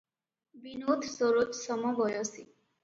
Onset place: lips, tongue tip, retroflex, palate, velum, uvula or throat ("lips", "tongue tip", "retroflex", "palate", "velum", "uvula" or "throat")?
lips